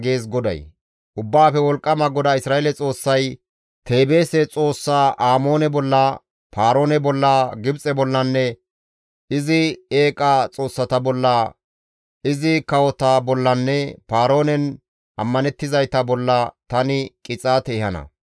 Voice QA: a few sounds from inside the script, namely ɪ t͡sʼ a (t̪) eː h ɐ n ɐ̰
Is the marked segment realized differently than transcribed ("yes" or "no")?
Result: no